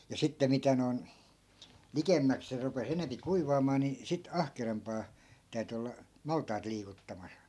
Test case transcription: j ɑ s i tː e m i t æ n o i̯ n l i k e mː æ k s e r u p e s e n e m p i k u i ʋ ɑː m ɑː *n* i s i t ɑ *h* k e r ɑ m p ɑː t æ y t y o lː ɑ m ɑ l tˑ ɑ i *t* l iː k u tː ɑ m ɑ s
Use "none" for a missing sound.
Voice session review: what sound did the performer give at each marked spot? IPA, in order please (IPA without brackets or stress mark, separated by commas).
n, h, t